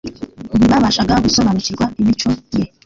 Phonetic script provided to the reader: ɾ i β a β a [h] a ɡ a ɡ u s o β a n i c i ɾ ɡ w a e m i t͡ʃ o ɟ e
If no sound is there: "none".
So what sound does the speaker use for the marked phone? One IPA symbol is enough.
ʃ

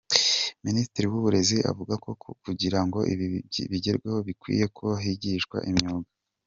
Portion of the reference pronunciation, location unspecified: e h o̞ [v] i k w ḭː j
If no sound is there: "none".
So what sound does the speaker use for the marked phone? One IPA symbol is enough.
β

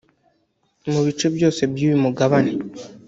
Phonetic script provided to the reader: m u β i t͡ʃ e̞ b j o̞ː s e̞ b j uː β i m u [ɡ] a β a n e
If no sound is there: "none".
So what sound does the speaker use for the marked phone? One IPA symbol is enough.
ɡ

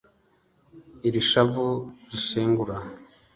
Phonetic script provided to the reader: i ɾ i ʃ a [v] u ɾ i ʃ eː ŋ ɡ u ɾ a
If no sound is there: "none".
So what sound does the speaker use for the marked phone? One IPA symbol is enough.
v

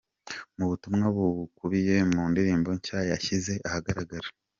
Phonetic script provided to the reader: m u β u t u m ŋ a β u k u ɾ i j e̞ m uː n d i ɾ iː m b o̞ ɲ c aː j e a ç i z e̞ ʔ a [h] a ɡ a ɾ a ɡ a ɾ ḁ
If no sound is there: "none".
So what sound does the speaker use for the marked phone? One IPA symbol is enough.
h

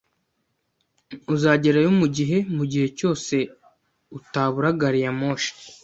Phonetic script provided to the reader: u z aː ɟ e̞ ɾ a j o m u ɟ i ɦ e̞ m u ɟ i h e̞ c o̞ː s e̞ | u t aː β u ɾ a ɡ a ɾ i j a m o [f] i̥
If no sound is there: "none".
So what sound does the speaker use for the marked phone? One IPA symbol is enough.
ʃ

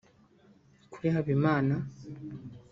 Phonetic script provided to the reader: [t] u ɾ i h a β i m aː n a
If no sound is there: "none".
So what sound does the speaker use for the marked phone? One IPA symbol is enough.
k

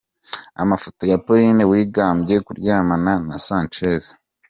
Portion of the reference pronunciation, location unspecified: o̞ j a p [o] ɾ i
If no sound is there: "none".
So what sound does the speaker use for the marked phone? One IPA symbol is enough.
o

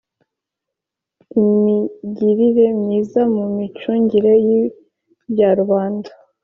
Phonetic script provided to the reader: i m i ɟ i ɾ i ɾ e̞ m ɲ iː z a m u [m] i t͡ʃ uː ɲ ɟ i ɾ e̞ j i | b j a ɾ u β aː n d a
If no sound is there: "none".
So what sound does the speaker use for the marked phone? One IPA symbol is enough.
m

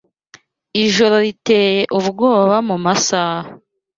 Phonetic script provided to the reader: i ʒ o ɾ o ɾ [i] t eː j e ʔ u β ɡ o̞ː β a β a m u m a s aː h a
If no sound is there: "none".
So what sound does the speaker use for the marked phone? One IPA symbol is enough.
i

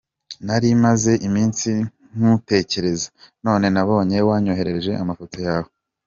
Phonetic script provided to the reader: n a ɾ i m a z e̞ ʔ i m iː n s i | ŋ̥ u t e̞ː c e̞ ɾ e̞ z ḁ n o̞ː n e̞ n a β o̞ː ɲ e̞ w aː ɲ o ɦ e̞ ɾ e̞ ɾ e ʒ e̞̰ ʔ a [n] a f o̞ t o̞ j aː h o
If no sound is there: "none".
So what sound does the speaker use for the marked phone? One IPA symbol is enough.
m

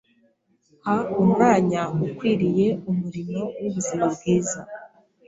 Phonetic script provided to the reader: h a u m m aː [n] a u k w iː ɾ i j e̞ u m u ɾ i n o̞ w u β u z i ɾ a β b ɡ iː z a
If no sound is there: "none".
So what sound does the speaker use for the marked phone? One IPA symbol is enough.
ɲ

